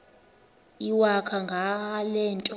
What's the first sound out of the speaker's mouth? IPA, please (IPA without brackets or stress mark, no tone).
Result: i